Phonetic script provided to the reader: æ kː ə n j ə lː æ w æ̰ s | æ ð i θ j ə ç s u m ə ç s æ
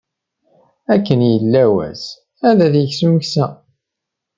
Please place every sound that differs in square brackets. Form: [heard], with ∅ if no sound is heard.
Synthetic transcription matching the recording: æ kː ə n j ə lː æ w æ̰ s | æ ð [æ] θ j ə ç s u m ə ç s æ